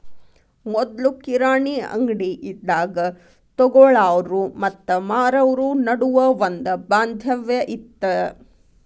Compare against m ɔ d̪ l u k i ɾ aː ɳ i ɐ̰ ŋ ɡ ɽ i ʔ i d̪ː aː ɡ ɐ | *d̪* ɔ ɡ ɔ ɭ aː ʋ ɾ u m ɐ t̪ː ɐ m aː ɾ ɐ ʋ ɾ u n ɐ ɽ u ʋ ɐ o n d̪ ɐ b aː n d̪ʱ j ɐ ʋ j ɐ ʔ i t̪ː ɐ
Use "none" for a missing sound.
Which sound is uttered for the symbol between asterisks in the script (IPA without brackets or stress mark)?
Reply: t̪